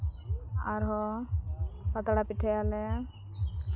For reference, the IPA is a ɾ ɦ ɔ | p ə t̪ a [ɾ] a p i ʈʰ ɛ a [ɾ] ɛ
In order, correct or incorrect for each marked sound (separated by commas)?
incorrect, incorrect